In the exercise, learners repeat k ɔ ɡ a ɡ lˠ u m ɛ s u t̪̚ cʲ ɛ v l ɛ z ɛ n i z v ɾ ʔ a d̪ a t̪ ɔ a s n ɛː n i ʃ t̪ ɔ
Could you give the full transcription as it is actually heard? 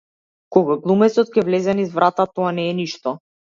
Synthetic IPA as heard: k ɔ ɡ a ɡ lˠ u m ɛ s ɔ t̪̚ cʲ ɛ v l ɛ z ɛ n i z v ɾ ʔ a t̪ a t̪ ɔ a n ɛː n i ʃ t̪ ɔ